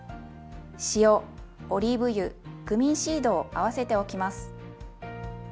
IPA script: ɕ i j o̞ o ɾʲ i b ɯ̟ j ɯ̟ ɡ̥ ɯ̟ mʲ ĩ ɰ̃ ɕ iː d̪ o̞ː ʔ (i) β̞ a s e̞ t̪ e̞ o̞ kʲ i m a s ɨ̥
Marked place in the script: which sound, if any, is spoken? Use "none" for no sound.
a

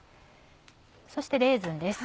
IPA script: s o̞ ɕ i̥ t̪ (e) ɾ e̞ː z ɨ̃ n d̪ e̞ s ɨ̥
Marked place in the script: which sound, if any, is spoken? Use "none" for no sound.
e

